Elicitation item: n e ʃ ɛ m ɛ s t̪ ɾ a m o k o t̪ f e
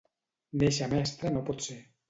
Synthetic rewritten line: n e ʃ a m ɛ s t̪ ɾ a n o p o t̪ s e